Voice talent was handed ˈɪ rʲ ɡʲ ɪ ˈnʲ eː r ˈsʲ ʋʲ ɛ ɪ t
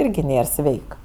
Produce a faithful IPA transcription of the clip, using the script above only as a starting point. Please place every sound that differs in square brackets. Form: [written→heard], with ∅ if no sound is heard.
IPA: ˈɪ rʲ ɡʲ ɪ ˈnʲ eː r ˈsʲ ʋʲ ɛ ɪ [t→k]